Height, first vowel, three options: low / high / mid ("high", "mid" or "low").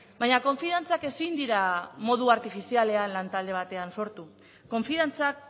low